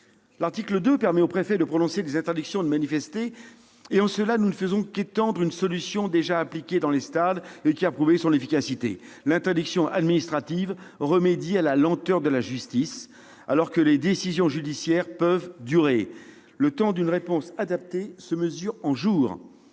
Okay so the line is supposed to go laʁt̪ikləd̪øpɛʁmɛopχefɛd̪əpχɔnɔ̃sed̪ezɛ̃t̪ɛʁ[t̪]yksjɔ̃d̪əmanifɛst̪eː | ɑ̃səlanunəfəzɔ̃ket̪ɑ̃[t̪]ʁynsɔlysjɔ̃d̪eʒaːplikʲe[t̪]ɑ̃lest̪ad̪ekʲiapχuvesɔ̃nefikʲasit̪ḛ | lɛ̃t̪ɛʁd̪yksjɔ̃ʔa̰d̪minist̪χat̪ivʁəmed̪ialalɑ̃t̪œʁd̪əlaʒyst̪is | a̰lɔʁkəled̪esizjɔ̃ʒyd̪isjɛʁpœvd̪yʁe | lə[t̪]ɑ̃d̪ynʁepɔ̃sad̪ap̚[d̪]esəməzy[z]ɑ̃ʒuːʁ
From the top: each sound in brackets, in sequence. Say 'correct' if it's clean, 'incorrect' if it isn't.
incorrect: d̪, incorrect: d̪, incorrect: d̪, correct, incorrect: t̪, incorrect: ʁ

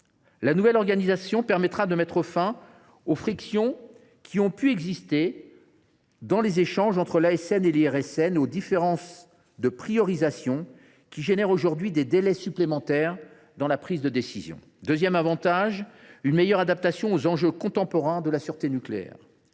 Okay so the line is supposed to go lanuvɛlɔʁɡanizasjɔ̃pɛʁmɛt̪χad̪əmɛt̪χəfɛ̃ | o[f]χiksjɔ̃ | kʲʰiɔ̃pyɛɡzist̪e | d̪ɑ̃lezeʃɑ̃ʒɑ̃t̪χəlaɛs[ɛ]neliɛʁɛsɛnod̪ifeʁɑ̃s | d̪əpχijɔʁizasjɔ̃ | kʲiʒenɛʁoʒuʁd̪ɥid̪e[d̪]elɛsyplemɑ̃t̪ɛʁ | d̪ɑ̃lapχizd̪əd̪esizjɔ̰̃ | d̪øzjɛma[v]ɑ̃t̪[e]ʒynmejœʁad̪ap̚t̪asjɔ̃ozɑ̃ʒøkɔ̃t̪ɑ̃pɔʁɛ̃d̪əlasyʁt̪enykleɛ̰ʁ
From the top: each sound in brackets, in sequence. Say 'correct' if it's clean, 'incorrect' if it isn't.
correct, correct, correct, correct, incorrect: a

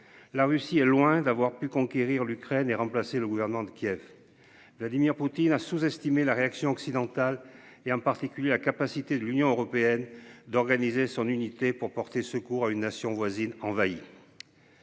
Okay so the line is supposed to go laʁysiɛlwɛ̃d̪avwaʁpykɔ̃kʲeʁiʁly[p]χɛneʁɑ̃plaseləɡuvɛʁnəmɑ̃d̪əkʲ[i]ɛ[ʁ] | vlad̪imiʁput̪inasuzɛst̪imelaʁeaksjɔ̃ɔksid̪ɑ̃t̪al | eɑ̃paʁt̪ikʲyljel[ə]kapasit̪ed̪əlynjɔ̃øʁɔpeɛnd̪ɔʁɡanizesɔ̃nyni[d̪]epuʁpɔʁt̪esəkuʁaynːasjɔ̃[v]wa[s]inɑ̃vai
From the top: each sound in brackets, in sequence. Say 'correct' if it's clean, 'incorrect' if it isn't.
incorrect: k, incorrect: j, incorrect: v, incorrect: a, incorrect: t̪, correct, incorrect: z

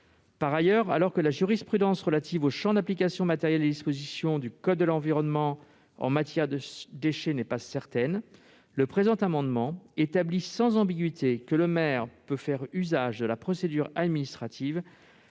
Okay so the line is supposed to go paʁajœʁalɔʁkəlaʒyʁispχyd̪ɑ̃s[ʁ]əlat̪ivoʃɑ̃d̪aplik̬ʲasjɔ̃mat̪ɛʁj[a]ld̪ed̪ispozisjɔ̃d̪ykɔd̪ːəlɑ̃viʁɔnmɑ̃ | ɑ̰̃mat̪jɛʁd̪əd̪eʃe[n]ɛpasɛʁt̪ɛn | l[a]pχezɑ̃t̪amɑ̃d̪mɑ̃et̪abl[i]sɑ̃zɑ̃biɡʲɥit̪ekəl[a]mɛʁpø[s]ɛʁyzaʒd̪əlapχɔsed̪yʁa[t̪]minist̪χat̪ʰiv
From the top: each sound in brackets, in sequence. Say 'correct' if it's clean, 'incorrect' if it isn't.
correct, incorrect: ɛ, correct, incorrect: ə, correct, incorrect: ə, incorrect: f, incorrect: d̪

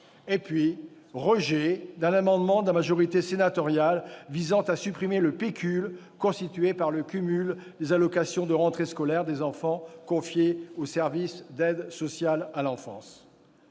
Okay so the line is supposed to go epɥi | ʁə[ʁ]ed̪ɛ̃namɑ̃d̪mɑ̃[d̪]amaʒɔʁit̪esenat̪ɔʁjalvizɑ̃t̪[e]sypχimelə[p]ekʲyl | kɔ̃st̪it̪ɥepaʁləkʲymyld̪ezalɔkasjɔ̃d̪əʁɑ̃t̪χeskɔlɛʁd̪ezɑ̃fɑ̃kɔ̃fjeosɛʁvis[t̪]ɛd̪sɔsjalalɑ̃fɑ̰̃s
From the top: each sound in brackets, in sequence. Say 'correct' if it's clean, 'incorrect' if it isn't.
incorrect: ʒ, correct, incorrect: a, correct, incorrect: d̪

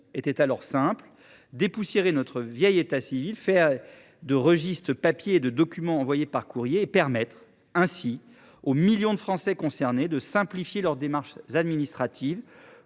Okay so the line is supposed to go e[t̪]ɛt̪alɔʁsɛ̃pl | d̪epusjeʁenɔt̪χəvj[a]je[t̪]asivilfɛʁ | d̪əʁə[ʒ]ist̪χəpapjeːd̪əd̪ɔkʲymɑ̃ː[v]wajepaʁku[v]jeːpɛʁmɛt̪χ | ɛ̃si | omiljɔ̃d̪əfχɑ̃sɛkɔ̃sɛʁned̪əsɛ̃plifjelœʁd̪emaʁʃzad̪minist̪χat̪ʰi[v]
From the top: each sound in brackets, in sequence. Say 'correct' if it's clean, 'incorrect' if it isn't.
correct, incorrect: ɛ, correct, correct, correct, incorrect: ʁ, correct

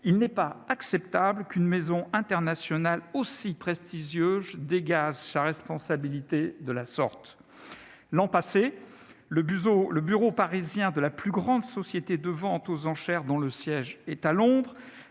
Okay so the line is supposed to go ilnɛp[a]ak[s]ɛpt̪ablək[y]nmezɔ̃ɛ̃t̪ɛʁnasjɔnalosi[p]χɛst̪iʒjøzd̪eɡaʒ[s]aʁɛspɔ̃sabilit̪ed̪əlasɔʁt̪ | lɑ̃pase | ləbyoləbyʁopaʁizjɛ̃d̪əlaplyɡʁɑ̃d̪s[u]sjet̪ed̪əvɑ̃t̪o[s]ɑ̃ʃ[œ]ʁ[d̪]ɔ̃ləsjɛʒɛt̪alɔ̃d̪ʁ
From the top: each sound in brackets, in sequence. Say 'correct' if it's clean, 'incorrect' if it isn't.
correct, correct, correct, correct, correct, incorrect: ɔ, incorrect: z, incorrect: ɛ, correct

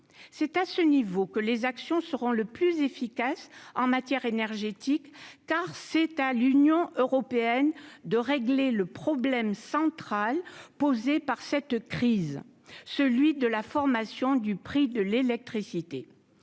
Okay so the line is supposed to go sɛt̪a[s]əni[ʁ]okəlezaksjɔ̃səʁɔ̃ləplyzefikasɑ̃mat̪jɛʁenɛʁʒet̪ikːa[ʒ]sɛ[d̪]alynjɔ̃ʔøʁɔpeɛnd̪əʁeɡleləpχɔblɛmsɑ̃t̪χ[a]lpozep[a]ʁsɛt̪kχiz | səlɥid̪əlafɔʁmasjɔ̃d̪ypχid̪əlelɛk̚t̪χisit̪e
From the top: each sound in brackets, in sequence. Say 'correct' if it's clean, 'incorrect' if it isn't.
correct, incorrect: v, incorrect: ʁ, incorrect: t̪, correct, correct

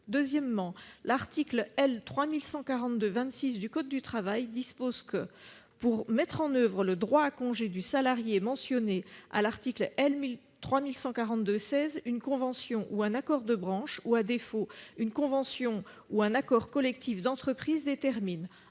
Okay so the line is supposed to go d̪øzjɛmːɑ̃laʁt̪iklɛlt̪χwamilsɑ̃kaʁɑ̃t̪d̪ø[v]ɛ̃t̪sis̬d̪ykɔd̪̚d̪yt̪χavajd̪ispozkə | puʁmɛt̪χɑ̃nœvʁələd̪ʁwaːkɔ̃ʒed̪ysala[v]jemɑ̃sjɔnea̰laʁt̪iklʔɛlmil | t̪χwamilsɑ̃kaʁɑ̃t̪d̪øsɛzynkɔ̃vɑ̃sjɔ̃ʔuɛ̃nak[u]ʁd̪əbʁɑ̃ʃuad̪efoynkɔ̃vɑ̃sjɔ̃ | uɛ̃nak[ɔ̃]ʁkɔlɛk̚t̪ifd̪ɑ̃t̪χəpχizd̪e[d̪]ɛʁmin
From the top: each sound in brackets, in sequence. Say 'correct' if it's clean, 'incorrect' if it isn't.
correct, incorrect: ʁ, incorrect: ɔ, incorrect: ɔ, incorrect: t̪

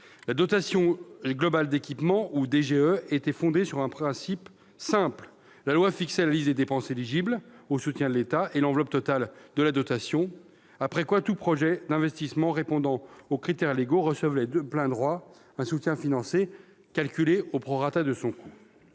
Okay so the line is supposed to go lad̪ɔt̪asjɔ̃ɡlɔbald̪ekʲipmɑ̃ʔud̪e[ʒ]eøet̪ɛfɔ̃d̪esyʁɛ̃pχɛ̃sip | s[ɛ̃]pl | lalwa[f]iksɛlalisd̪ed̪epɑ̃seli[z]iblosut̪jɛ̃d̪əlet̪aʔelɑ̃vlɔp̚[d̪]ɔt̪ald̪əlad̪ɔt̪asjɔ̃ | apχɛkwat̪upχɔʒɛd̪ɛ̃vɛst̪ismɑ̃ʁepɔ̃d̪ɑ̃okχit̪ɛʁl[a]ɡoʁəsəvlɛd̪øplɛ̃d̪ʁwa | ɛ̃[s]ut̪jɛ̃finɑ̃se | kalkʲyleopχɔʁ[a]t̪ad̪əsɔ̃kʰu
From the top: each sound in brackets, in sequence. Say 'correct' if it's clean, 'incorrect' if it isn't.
correct, correct, correct, incorrect: ʒ, incorrect: t̪, incorrect: e, correct, correct

